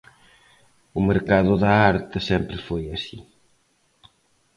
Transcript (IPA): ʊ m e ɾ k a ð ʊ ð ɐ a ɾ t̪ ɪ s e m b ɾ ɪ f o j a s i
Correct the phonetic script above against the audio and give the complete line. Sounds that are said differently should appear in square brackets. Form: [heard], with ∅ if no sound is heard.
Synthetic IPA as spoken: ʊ m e ɾ k a ð ʊ ð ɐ a ɾ t̪ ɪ s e m [p] ɾ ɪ f o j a s i